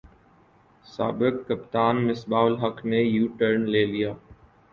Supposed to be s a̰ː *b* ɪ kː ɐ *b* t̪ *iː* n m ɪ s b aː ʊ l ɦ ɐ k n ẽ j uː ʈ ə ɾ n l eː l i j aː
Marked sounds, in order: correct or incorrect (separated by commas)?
correct, incorrect, incorrect